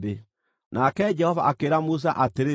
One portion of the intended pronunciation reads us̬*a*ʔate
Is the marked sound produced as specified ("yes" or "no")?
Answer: yes